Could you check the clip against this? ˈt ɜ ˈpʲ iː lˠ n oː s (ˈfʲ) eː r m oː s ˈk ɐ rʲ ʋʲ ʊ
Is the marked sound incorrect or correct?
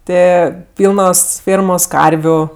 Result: correct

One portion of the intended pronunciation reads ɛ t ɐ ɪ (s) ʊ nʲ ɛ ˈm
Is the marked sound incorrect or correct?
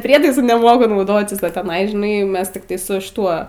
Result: correct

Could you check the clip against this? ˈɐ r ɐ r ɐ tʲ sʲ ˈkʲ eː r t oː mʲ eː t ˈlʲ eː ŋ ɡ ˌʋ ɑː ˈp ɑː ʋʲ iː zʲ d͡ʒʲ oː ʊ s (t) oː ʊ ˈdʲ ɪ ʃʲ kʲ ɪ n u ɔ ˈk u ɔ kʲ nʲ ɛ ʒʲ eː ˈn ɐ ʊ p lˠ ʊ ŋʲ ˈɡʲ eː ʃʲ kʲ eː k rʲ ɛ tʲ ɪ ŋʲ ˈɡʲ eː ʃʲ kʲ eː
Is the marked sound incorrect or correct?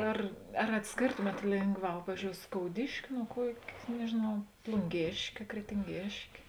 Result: incorrect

